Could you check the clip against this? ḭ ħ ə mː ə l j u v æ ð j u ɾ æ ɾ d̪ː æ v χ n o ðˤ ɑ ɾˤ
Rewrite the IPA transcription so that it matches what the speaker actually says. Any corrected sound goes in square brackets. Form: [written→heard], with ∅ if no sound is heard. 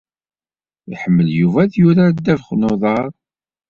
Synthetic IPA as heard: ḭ ħ ə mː ə l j u v æ ð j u ɾ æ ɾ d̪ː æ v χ n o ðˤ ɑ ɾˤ